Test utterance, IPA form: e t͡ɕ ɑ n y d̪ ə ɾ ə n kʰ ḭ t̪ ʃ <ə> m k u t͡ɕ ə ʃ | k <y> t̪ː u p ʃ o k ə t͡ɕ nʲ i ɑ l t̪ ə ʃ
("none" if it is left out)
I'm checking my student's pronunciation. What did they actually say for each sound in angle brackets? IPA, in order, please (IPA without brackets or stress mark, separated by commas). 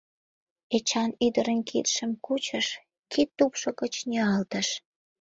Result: ə, i